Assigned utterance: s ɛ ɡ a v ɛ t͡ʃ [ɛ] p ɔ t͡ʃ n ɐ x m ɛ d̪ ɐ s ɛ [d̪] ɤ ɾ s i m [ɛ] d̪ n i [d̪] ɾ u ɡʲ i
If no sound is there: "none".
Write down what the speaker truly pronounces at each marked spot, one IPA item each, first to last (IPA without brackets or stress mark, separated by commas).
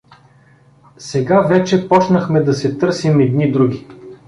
ɛ, t̪, ɛ, d̪